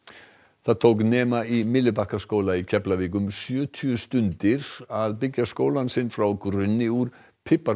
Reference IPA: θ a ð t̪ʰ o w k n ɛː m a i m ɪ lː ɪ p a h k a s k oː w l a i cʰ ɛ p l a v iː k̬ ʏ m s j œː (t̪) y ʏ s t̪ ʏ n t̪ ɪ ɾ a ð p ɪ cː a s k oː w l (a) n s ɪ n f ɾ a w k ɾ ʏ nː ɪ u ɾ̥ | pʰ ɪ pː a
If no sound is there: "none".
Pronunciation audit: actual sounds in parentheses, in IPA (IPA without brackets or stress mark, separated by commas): t̪ʰ, a